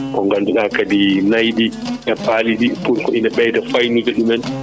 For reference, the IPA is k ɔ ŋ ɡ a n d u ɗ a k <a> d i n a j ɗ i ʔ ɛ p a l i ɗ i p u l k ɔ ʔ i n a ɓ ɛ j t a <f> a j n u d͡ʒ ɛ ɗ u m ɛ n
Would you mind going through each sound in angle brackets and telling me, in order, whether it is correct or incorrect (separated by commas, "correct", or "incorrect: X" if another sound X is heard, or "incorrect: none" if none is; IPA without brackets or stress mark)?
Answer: correct, correct